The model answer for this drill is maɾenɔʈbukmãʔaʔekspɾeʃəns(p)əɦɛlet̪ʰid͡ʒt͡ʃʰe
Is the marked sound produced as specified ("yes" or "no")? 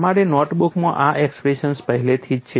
yes